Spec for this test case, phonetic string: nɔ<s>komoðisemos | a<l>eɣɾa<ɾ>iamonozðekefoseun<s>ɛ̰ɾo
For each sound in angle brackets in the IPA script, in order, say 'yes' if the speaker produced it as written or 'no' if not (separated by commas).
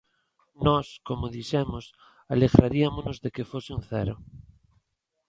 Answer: yes, yes, yes, no